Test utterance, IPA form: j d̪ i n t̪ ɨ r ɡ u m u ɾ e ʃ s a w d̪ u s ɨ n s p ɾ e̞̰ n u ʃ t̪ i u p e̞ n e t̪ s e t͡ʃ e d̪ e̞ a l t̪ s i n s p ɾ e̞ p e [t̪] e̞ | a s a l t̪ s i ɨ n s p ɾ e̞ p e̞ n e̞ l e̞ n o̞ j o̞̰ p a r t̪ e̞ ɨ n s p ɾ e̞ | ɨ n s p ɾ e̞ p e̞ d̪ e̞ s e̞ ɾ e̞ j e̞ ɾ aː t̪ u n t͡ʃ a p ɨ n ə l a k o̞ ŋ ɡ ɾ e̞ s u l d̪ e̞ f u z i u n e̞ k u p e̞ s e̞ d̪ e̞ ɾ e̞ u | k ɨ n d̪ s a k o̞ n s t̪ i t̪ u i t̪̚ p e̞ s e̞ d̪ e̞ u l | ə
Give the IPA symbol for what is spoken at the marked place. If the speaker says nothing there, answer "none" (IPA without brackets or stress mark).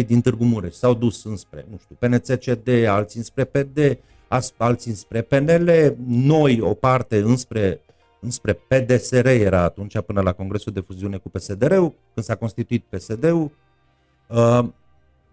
d̪